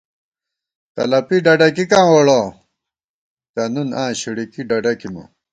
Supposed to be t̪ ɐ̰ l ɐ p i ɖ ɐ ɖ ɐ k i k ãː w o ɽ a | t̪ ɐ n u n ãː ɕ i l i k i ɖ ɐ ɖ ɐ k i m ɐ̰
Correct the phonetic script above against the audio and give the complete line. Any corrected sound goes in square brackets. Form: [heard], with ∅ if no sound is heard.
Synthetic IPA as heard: t̪ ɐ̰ l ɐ p i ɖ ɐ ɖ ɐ k i k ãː w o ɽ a | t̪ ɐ n u n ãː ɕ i [ɽ] i k i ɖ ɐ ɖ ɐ k i m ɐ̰